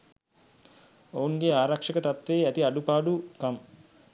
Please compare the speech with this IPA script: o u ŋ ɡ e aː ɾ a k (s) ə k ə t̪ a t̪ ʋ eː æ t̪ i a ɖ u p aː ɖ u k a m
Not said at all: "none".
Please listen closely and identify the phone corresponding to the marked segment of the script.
ʂ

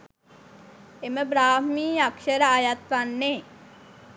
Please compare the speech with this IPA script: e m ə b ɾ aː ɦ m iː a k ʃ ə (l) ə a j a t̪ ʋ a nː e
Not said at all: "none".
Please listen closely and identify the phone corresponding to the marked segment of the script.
ɾ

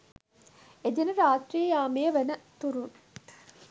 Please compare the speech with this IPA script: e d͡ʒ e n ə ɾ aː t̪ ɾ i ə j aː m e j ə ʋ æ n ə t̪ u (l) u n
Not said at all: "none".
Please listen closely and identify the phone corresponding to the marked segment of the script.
ɾ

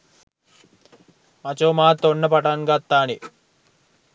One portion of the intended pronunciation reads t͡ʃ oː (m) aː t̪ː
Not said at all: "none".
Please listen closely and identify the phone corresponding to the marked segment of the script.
m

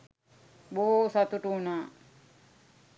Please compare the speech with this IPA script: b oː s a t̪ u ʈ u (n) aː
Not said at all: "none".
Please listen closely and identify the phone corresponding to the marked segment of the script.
n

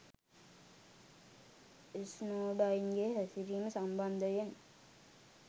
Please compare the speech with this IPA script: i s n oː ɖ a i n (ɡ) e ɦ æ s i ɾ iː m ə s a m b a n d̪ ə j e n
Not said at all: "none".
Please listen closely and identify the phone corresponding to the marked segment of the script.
ɡ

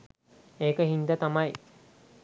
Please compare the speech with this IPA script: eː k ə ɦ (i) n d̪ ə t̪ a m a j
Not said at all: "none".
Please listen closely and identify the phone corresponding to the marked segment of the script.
i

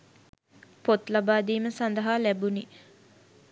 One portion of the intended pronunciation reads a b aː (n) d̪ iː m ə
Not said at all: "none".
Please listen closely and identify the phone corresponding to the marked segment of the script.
none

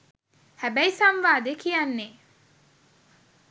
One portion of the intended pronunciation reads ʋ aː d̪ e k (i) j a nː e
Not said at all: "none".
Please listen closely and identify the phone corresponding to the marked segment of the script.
i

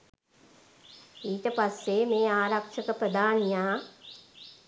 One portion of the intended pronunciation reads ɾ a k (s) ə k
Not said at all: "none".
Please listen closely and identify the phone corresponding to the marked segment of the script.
ʂ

